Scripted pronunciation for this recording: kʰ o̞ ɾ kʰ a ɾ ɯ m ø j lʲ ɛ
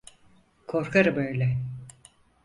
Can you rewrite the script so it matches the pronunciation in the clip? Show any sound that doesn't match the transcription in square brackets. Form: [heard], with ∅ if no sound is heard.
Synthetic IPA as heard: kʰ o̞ ɾ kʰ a ɾ ɯ [b] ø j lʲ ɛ